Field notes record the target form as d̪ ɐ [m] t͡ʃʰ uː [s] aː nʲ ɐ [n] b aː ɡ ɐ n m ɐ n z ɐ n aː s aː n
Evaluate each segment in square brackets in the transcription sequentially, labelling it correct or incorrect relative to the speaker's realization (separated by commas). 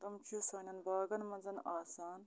correct, correct, correct